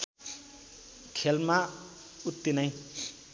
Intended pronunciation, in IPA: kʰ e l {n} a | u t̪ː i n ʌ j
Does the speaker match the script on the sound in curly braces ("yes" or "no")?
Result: no